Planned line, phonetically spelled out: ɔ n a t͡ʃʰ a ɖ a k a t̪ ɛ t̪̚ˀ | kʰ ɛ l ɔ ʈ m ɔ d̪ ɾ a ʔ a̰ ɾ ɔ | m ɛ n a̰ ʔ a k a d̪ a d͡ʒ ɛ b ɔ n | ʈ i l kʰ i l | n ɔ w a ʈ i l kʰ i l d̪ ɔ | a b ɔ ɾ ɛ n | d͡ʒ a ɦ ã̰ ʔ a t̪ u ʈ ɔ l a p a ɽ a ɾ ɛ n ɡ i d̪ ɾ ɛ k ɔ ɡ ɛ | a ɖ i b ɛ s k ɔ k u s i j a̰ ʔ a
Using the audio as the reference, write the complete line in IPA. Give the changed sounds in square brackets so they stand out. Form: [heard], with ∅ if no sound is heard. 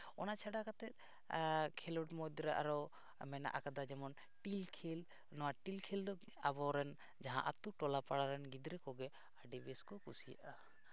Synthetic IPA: ɔ n a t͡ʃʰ a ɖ a k a t̪ ɛ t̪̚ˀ | kʰ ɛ l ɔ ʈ m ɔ d̪ ɾ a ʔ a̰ ɾ ɔ | m ɛ n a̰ ʔ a k a d̪ a d͡ʒ ɛ [m] ɔ n | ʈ i l kʰ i l | n ɔ w a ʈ i l kʰ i l d̪ ɔ | a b ɔ ɾ ɛ n | d͡ʒ a ɦ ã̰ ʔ a t̪ u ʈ ɔ l a p a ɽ a ɾ ɛ n ɡ i d̪ ɾ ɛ k ɔ ɡ ɛ | a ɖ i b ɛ s k ɔ k u s i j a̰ ʔ a